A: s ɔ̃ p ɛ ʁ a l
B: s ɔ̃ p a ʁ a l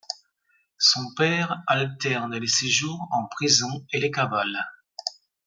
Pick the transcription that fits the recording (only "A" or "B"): A